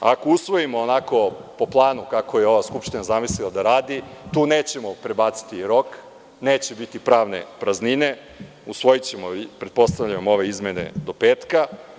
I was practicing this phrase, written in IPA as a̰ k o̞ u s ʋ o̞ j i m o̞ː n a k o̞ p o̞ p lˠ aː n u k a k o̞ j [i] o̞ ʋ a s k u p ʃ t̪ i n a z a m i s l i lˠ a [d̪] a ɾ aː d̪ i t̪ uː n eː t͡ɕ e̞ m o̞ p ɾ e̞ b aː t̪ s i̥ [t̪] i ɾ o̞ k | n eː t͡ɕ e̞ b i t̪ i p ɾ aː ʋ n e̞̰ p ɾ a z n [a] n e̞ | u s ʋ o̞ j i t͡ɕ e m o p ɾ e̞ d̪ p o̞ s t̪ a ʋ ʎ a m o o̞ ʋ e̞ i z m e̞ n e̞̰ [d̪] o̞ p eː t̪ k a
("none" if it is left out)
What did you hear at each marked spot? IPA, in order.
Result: e, d̪, t̪, i, d̪

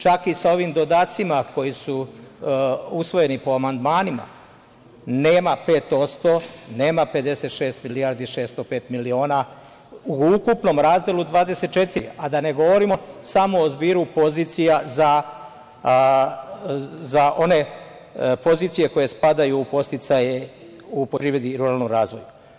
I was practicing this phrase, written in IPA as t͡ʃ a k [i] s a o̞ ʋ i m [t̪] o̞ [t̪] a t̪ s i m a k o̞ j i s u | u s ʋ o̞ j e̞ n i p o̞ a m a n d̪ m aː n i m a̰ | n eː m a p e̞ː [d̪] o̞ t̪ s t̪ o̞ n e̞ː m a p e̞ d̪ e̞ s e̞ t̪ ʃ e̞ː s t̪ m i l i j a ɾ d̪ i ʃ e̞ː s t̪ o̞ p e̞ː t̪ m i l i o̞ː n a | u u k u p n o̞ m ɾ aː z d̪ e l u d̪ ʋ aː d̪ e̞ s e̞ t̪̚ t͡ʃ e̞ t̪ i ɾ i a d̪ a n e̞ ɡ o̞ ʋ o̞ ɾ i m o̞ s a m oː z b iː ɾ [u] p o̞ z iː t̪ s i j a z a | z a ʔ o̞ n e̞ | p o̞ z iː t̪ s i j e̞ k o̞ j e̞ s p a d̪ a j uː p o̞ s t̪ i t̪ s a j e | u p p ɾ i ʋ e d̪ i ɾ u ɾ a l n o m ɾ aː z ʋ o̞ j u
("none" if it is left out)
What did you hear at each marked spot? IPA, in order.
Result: i, d̪, d̪, t̪, u

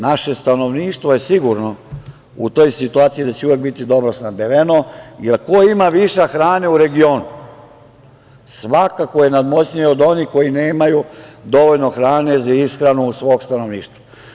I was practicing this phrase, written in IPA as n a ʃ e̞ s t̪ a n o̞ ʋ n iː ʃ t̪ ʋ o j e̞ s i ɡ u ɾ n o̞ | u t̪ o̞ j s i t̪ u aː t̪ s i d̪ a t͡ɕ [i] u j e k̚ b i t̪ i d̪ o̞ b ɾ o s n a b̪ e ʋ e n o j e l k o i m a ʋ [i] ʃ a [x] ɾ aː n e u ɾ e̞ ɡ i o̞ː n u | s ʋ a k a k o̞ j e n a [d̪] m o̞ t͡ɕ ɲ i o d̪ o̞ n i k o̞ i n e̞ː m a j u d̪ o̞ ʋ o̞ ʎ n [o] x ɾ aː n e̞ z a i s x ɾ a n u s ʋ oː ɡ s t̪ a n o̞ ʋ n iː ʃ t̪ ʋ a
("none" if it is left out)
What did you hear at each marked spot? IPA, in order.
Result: e, i, x, d̪, o

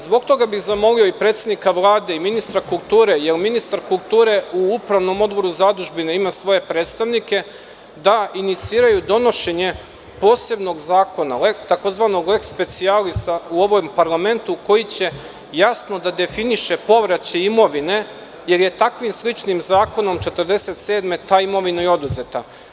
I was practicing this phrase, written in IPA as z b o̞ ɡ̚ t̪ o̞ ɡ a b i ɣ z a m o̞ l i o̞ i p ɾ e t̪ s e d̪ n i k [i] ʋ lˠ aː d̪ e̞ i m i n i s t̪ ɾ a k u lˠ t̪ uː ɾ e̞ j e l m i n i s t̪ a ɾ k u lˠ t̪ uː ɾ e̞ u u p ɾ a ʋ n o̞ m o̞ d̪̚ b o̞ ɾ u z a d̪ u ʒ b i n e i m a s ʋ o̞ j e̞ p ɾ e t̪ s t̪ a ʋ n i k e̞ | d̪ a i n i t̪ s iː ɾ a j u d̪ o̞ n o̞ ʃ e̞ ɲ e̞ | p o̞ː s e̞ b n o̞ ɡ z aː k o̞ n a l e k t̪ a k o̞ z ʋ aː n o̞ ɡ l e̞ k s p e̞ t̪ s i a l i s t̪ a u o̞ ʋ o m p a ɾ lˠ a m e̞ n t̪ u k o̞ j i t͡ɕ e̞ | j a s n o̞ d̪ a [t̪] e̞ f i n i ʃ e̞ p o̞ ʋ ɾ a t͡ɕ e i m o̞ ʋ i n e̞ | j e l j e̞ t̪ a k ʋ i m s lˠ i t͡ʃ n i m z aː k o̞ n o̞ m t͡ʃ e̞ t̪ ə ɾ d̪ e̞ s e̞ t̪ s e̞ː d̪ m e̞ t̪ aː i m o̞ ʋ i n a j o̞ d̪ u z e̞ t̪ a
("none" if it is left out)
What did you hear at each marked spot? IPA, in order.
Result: a, d̪

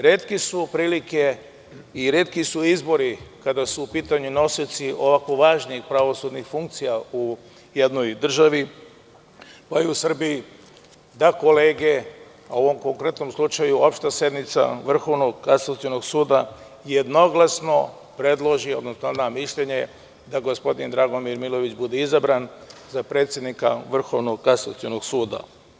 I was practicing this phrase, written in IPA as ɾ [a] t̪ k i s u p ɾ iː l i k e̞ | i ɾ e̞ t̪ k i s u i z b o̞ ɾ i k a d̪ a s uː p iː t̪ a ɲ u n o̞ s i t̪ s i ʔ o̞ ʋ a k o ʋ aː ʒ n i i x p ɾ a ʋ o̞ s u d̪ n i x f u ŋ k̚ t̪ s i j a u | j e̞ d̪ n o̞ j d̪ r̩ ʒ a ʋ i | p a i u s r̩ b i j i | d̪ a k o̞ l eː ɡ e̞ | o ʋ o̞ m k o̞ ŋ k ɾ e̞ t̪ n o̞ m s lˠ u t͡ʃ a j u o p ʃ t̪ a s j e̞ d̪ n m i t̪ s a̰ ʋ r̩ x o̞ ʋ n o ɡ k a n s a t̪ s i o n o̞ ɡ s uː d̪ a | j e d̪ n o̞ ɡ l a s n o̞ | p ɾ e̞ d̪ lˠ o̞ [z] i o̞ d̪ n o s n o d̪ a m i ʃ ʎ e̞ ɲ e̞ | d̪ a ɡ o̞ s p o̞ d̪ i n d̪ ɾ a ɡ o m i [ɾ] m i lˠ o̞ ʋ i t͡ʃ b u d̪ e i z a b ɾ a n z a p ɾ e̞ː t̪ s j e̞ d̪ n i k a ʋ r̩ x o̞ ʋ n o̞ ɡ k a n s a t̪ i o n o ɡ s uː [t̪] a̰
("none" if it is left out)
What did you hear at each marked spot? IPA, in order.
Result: e, ʒ, ɾ, d̪

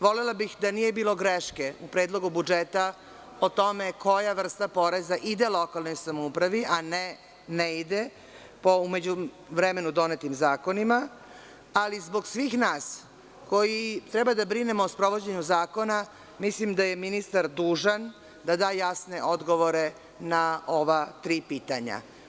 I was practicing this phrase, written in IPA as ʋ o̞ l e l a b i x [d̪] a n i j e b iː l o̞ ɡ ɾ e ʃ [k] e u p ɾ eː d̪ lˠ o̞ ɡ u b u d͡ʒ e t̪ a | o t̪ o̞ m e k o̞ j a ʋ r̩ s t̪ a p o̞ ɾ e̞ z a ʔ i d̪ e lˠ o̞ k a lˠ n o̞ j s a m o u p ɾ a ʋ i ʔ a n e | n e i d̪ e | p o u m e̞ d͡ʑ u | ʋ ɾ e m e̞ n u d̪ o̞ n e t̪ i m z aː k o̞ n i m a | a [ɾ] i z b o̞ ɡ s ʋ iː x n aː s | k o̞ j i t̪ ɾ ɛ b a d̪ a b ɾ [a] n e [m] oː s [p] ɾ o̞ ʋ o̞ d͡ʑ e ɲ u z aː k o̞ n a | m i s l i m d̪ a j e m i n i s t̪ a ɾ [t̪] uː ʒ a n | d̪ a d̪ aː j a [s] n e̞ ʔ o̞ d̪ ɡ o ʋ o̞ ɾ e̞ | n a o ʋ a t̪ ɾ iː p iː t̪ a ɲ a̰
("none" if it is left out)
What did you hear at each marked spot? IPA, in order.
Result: d̪, k, l, i, m, p, d̪, s

